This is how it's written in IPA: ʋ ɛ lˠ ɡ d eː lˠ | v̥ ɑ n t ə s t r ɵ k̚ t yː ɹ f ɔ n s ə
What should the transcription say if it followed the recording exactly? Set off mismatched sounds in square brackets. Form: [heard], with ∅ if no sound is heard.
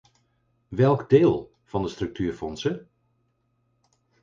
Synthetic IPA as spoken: ʋ ɛ lˠ ɡ d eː lˠ | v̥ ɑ n [d] ə s t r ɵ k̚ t yː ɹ f ɔ n s ə